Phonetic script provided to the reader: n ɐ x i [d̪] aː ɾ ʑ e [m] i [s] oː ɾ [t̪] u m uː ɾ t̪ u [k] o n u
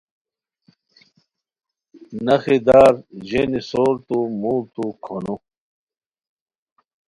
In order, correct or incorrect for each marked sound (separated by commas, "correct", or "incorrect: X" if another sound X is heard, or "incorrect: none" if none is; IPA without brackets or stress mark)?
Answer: correct, incorrect: n, correct, correct, incorrect: kʰ